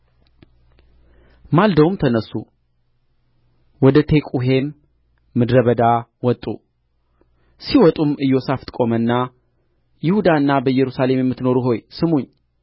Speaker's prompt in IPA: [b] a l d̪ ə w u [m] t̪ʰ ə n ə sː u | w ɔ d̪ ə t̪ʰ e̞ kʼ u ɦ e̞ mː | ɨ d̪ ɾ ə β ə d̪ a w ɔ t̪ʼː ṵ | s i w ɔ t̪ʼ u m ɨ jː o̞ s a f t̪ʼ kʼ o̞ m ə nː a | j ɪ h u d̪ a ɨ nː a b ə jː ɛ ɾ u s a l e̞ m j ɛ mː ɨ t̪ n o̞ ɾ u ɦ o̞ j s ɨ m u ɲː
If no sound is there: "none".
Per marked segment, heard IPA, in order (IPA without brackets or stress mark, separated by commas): m, m